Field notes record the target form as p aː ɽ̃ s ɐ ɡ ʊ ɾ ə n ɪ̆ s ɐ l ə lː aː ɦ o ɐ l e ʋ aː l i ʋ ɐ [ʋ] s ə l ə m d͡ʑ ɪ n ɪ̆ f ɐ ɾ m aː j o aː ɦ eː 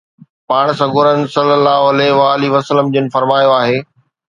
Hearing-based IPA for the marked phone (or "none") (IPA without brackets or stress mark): none